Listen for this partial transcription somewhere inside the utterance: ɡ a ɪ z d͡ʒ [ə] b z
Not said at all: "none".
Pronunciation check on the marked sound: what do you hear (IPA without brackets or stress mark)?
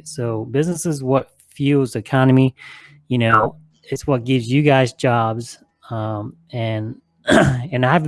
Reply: ɑ